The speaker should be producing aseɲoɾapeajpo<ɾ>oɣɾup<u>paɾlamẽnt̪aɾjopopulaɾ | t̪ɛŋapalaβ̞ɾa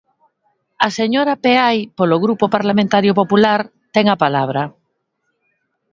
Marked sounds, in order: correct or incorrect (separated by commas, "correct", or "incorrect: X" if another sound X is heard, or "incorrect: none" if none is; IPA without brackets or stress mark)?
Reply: incorrect: l, incorrect: o